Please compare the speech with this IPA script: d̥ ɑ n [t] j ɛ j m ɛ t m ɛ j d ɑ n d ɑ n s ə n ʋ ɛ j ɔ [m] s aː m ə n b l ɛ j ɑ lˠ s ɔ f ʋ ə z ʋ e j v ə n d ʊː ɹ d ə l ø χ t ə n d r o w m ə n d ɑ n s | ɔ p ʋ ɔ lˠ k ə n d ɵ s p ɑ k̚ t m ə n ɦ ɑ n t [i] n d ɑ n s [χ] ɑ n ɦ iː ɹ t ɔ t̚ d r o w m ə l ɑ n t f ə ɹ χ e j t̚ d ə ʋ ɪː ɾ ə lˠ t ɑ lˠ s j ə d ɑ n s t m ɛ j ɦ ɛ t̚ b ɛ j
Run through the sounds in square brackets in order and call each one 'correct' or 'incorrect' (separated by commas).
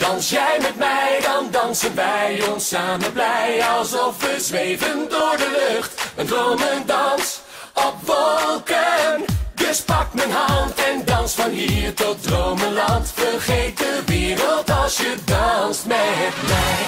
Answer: incorrect, incorrect, incorrect, incorrect